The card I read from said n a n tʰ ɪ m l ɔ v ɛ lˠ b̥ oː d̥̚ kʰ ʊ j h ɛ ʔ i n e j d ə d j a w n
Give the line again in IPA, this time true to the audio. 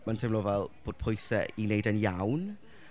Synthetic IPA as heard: m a n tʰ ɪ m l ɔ v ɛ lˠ b̥ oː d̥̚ pʰ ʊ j s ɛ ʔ i n e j d ə n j a w n